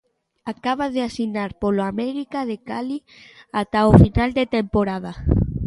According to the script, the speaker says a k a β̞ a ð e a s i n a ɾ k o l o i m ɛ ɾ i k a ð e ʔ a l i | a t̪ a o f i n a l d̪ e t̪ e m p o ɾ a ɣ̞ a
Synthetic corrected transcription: a k a β̞ a ð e a s i n a ɾ p o l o a m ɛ ɾ i k a ð e k a l i | a t̪ a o f i n a l d̪ e t̪ e m p o ɾ a ð̞ a